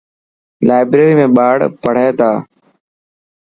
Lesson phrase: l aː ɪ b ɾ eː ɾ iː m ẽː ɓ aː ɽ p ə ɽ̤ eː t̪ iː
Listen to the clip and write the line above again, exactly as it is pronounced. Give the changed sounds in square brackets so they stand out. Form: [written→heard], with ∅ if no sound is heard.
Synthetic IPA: l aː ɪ b ɾ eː ɾ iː m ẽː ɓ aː ɽ p ə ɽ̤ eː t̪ [iː→aː]